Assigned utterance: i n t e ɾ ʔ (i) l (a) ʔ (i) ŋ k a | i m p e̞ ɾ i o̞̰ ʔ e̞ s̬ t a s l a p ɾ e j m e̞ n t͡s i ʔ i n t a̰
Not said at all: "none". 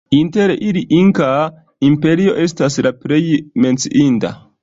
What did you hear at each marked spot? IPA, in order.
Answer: i, i, i

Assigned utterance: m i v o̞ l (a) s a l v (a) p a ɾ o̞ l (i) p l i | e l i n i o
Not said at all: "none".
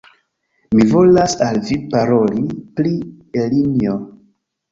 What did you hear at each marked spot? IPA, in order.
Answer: a, i, i

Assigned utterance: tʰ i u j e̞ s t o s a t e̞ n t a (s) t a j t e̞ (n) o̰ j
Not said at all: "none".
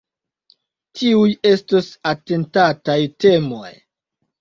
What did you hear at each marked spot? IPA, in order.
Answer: none, m

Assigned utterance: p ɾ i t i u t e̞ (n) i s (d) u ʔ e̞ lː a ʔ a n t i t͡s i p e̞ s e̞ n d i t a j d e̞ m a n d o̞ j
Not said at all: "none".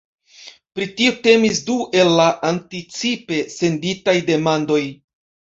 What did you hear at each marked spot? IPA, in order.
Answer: m, d

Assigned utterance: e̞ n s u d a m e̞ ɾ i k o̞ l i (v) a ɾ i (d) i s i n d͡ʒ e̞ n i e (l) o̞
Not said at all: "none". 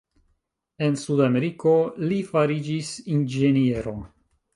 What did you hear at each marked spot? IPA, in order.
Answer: f, d͡ʒ, ɾ

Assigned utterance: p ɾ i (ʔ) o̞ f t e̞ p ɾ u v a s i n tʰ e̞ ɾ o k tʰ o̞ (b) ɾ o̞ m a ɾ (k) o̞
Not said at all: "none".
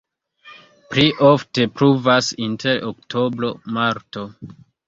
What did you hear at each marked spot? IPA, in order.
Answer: ʔ, b, t

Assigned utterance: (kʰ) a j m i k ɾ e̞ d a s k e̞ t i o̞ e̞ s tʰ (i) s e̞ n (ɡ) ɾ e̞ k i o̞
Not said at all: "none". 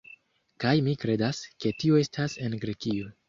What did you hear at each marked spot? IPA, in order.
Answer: k, a, ɡ

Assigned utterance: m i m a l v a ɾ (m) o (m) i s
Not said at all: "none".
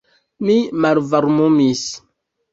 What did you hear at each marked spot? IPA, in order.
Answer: m, m

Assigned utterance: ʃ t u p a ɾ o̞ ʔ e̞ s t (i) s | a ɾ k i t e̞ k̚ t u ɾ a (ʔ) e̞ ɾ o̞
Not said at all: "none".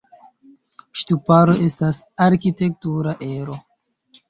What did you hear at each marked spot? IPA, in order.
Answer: a, ʔ

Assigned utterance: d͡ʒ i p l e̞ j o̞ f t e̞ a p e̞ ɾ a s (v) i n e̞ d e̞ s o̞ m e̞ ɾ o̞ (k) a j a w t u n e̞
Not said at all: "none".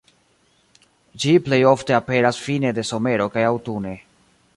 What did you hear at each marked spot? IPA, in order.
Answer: f, k

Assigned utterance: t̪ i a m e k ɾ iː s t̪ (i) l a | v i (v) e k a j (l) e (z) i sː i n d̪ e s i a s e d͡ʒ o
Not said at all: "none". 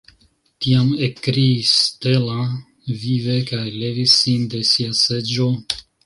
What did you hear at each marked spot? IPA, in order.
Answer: e, v, l, v

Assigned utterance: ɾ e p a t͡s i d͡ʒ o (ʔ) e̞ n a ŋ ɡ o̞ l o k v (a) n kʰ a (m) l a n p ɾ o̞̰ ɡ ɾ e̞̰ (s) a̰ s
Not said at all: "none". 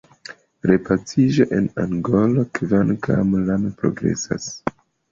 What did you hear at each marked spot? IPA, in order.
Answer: ʔ, a, m, s

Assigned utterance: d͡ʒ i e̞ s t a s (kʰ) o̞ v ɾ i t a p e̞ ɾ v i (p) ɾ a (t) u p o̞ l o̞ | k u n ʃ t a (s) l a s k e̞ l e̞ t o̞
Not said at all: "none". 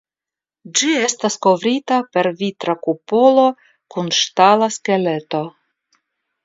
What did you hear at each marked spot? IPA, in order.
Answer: k, t, k, none

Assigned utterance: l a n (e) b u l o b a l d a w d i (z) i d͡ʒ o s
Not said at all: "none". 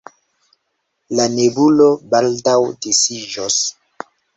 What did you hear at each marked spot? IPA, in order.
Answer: e, s

